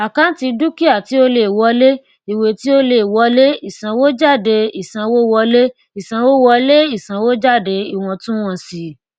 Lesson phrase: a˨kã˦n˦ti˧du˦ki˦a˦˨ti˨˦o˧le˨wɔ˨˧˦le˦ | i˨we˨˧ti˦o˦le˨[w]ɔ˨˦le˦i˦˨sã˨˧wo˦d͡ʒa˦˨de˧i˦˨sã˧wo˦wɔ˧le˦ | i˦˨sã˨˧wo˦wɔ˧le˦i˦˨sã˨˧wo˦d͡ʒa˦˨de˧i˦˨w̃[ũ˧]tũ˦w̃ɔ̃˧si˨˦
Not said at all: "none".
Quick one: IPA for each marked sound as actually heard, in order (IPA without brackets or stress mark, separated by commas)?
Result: w, ɔ̃˧